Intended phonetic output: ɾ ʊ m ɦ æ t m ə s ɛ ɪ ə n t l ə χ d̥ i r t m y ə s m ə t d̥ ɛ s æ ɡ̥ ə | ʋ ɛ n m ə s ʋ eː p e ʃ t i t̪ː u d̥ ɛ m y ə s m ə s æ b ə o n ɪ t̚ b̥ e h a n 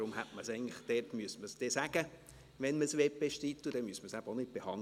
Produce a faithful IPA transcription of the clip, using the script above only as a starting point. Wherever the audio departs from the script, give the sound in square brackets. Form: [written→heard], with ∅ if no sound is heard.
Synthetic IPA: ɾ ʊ m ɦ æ t m ə s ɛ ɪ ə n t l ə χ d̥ [i→ɛ] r t m y ə s m ə [t→s] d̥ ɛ s æ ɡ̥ ə | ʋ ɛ n m ə s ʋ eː p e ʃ t i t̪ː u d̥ ɛ m y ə s m ə s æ b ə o n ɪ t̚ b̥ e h [a→ɑ] n